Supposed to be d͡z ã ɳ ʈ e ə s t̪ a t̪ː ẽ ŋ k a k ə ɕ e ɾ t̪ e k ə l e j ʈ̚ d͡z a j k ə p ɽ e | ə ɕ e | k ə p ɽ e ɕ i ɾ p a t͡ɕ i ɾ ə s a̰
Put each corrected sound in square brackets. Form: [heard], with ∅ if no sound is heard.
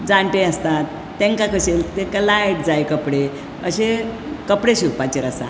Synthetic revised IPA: d͡z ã ɳ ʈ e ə s t̪ a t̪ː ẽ ŋ k a k ə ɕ e [l] t̪ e k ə l [a] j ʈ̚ d͡z a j k ə p ɽ e | ə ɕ e | k ə p ɽ e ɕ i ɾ p a t͡ɕ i ɾ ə s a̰